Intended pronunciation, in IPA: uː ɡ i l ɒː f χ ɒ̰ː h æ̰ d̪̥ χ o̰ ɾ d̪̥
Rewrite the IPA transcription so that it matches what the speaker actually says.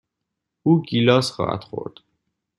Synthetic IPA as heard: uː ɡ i l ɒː s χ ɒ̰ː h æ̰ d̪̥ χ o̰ ɾ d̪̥